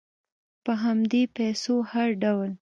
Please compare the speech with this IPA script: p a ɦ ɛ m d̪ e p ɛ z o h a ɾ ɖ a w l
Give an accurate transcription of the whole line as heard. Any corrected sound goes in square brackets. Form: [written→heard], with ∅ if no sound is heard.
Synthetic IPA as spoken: p [a→ə] ɦ [ɛ→a] m d̪ e p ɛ [z→s] o h a ɾ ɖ a w l